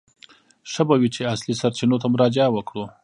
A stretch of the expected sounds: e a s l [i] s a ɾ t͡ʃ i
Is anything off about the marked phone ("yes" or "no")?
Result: no